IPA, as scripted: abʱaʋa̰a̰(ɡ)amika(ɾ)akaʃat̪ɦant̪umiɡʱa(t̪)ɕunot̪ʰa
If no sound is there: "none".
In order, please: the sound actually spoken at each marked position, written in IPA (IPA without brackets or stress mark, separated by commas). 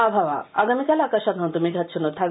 ɡ, l, t̪